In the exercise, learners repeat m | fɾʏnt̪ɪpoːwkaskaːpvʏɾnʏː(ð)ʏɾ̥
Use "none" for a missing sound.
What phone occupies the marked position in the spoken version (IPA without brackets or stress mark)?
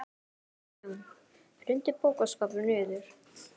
ð